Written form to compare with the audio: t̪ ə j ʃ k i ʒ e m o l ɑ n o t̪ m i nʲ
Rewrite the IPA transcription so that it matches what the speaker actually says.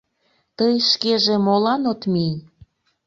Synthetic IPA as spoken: t̪ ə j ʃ k e ʒ e m o l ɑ n o t̪ m i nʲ